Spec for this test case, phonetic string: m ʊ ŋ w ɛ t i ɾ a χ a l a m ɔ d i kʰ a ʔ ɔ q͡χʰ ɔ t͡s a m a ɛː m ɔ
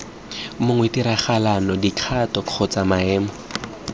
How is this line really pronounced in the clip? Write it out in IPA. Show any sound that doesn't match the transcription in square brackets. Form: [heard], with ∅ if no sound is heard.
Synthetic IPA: m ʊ ŋ w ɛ t i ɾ a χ a l a [n] ɔ d i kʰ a [t] ɔ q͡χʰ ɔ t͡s a m a ɛː m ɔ

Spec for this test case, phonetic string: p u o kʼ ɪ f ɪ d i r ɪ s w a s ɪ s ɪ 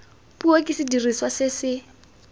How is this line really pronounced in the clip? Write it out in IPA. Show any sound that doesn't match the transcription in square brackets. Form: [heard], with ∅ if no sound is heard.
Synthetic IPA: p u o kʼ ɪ [s] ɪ d i r [i] s w a s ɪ s ɪ

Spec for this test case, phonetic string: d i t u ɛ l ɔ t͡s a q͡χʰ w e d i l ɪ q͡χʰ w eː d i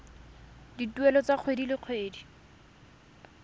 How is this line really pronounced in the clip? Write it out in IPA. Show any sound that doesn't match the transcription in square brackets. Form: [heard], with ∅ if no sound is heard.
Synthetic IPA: d i t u ɛ l ɔ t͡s a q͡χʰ w e d i l ɪ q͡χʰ w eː d i

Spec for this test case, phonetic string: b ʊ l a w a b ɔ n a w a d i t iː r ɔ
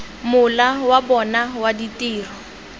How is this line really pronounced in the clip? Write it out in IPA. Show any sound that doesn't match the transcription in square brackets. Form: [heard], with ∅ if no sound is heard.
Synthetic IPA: [m] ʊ l a w a b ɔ n a w a d i t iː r ɔ

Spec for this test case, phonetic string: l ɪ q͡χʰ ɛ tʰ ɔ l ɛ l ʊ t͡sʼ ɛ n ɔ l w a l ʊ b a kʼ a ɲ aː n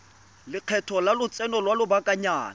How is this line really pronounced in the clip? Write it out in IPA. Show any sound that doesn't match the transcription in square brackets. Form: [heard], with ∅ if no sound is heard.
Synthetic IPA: l ɪ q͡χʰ ɛ tʰ ɔ l [a] l ʊ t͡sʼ ɛ n ɔ l w a l ʊ b a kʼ a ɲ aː n

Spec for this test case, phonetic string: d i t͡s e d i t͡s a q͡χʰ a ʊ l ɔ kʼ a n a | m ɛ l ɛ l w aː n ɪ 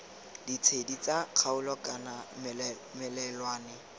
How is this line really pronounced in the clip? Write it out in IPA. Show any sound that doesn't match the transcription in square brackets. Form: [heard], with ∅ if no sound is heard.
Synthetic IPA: d i [t͡sʰ] e d i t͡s a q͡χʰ a ʊ l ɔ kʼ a n a | m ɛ l ɛ l w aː n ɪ

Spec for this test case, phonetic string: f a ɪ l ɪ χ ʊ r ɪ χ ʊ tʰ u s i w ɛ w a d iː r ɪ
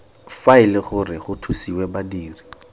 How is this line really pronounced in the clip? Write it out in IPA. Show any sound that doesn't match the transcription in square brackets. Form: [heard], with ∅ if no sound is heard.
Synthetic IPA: f a ɪ l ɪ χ ʊ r ɪ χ ʊ tʰ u s i w ɛ [b] a d iː r [i]

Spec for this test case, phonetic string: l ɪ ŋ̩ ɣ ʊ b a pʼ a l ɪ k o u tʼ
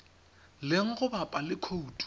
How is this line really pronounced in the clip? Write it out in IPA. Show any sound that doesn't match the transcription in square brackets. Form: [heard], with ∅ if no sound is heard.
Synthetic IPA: l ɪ ŋ̩ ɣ ʊ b a pʼ a l ɪ [kʰ] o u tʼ

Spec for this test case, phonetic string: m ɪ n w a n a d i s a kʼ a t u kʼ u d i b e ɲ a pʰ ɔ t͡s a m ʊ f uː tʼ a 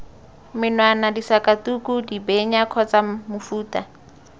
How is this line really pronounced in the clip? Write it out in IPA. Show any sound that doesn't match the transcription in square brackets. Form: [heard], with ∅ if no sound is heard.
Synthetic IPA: m ɪ n w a n a d i s a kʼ a t u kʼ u d i b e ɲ a [kʰ] ɔ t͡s a m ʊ f uː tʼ a

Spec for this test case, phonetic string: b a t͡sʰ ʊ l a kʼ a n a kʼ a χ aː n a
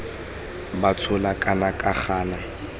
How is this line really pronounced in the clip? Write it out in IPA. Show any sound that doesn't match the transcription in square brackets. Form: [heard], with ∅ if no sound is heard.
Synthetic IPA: b a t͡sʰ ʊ l a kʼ a n a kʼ a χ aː n a

